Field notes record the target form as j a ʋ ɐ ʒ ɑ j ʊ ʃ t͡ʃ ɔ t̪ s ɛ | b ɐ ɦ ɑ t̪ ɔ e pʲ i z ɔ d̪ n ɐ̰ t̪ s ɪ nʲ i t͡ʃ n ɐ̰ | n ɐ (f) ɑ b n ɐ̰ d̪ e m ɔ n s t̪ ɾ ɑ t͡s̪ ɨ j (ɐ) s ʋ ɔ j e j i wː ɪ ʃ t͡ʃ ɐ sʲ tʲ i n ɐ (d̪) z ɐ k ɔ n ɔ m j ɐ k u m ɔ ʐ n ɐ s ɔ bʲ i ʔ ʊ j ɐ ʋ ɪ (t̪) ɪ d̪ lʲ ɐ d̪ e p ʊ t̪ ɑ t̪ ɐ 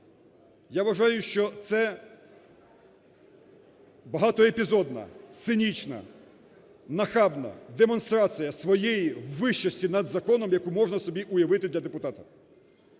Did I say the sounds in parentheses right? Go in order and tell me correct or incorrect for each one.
incorrect: x, correct, correct, correct

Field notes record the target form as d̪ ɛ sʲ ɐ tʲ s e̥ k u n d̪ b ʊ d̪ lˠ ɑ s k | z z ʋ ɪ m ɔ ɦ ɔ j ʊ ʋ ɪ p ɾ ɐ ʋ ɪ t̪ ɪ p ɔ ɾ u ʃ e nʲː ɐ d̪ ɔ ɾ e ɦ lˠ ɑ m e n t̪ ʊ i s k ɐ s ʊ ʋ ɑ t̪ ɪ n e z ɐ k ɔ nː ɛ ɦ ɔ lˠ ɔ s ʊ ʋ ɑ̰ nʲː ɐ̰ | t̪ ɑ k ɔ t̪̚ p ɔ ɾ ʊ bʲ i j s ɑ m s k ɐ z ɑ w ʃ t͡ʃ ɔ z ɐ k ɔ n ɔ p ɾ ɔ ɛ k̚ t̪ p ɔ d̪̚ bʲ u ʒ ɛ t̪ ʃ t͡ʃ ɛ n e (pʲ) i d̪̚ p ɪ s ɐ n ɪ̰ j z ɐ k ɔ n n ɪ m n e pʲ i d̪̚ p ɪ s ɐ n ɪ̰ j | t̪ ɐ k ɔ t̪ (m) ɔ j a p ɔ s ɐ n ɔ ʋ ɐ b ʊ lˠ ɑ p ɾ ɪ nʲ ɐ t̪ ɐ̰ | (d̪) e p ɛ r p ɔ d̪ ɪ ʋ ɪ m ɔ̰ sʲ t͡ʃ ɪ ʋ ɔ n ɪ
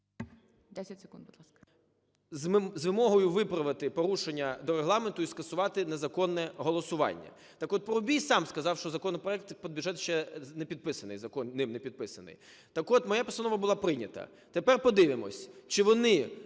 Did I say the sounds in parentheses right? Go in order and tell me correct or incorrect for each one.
correct, correct, incorrect: t̪

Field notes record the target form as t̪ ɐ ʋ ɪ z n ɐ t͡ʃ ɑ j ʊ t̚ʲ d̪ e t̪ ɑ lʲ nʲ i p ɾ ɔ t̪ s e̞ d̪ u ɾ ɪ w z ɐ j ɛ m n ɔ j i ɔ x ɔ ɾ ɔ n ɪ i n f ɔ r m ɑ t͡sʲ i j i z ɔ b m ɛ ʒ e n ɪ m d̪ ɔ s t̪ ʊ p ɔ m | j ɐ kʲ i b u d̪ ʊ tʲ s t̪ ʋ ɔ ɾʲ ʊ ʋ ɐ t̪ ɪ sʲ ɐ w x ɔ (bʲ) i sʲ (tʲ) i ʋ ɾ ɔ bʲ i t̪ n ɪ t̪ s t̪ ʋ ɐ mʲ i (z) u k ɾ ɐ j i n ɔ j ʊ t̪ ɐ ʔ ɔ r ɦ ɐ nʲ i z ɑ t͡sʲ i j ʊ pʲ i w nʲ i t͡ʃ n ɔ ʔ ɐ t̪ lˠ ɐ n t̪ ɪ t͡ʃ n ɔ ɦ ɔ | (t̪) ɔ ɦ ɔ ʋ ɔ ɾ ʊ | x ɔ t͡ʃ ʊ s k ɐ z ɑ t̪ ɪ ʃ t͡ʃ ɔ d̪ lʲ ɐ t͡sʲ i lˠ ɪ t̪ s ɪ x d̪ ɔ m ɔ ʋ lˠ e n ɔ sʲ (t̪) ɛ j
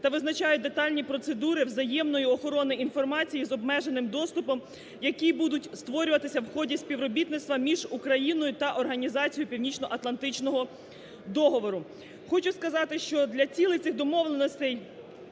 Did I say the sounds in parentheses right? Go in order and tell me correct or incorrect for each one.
incorrect: dʲ, incorrect: pʲ, incorrect: ʒ, incorrect: d̪, correct

